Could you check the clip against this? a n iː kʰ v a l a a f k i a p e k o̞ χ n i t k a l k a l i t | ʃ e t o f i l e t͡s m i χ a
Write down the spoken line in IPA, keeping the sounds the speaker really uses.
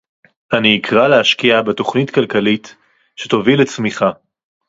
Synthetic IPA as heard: a n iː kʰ ʁ a l e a ʃ k i a b e t o̞ χ n i t k a l k a l i t | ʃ e t o v i l e t͡s m i χ a